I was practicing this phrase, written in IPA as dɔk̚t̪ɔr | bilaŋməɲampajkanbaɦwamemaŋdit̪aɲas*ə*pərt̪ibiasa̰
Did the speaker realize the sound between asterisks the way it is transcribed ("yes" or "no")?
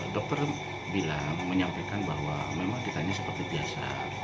yes